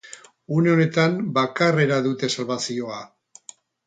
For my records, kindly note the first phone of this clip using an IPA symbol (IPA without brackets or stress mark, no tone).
u